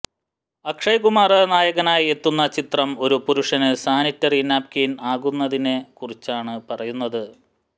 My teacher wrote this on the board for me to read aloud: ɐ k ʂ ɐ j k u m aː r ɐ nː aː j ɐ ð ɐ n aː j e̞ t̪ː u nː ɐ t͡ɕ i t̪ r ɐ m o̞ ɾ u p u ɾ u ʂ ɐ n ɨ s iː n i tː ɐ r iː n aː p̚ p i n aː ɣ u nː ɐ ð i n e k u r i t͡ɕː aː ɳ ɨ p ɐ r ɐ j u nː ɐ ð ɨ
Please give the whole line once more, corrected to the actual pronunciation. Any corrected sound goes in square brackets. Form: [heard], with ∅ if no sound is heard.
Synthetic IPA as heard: ɐ k ʂ ɐ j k u m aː r ɐ [n] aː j ɐ [ɣ] ɐ n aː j e̞ t̪ː u nː ɐ t͡ɕ i t̪ r ɐ m o̞ ɾ u p u ɾ u ʂ ɐ n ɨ s [aː] n i tː ɐ r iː n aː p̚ [k] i n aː ɣ u nː ɐ ð i n e k u r i t͡ɕː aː ɳ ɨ p ɐ r ɐ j u nː ɐ ð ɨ

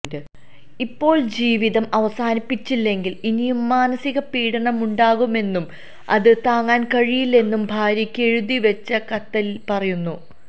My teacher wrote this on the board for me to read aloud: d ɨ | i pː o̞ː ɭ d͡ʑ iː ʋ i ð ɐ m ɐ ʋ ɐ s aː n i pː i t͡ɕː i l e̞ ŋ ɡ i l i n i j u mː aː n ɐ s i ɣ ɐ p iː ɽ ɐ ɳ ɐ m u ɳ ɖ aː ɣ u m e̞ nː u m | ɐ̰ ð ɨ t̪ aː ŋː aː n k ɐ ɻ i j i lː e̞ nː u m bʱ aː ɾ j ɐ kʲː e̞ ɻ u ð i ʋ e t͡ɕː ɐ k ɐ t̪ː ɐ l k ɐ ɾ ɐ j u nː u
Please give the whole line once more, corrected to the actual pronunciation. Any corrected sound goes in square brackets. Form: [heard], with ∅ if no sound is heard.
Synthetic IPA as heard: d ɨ | i pː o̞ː ɭ d͡ʑ iː ʋ i ð ɐ m ɐ ʋ ɐ s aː n i pː i t͡ɕː i [lː] e̞ ŋ ɡ i l i n i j u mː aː n ɐ s i ɣ ɐ p iː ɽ ɐ ɳ ɐ m u ɳ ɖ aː ɣ u m e̞ nː u m | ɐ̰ ð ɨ t̪ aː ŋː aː n k ɐ ɻ i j i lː e̞ nː u m bʱ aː ɾ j ɐ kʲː e̞ ɻ u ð i ʋ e t͡ɕː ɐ k ɐ t̪ː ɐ l [p] ɐ [r] ɐ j u nː u

